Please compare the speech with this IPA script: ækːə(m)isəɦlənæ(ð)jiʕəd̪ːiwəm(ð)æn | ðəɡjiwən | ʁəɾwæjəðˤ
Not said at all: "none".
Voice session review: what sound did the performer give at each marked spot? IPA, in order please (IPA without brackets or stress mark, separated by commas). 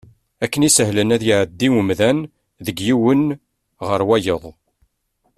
n, ð, ð